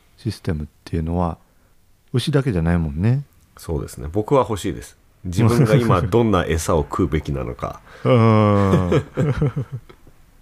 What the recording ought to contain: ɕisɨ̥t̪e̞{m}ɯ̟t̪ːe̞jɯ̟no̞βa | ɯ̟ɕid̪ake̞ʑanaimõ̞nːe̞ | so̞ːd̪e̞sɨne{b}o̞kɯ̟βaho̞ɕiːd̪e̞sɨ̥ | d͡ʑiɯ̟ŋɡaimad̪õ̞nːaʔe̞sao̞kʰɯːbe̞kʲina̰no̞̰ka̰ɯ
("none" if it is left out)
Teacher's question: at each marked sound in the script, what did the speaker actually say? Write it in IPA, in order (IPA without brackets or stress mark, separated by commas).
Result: m, b